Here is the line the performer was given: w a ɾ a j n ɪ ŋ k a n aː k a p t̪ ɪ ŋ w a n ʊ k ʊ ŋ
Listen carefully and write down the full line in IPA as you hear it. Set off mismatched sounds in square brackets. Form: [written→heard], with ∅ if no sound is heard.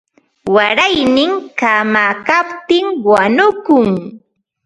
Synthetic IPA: w a ɾ a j n ɪ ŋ k a [n→m] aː k a p t̪ ɪ ŋ w a n ʊ k ʊ ŋ